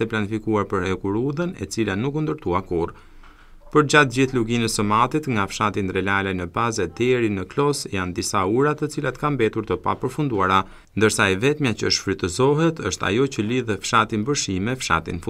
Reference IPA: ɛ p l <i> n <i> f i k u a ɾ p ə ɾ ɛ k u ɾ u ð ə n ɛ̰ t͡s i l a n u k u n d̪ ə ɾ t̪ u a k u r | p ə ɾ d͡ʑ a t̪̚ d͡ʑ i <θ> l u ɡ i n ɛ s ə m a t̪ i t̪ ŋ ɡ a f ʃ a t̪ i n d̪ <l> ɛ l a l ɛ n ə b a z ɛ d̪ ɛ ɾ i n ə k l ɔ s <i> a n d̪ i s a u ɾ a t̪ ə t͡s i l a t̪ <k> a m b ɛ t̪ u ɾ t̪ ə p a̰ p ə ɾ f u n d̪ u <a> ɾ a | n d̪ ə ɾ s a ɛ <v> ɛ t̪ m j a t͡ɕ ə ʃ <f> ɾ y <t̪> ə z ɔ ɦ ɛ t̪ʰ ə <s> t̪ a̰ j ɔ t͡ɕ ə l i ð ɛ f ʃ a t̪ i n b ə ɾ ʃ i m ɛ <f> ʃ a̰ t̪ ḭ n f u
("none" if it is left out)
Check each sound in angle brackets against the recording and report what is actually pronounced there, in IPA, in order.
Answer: a, i, θ, ɾ, j, k, a, v, f, t̪, ʃ, f

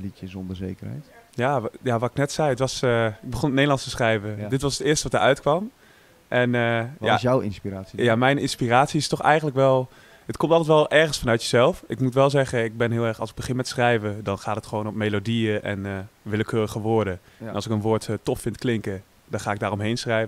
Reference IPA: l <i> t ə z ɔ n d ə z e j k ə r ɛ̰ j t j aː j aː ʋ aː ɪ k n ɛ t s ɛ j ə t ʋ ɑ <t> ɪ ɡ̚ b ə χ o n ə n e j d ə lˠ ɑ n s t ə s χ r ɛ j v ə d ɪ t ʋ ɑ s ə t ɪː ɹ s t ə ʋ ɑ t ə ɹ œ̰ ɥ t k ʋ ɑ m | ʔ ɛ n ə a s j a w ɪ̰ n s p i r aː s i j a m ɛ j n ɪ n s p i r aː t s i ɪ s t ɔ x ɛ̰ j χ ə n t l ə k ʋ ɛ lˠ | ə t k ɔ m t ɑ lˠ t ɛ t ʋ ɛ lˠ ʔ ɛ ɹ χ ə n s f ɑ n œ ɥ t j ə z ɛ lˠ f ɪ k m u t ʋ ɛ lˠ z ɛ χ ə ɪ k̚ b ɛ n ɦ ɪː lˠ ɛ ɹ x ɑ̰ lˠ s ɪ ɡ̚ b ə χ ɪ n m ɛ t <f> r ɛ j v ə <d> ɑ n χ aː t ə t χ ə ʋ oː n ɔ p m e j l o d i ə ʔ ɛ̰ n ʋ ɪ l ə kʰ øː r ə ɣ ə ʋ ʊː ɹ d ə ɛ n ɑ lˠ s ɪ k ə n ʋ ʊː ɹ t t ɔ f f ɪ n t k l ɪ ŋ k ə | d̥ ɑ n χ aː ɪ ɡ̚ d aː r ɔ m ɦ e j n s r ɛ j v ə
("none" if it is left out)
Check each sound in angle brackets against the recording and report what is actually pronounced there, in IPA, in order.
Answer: i, s, s, d

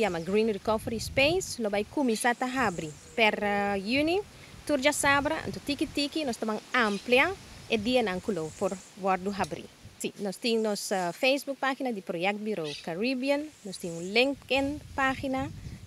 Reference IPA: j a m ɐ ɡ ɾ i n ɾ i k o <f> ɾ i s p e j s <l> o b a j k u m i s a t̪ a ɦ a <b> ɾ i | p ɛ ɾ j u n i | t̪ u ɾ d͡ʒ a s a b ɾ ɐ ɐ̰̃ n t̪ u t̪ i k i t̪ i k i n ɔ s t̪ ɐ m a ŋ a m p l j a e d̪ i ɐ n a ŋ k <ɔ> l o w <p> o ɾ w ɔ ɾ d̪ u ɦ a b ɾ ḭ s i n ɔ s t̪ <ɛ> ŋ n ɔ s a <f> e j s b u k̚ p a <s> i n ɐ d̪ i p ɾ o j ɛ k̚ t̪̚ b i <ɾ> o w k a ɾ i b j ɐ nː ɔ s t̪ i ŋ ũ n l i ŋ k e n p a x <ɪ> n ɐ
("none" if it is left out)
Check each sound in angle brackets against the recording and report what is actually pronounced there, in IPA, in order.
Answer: f, l, b, u, p, i, f, x, ɾ, i

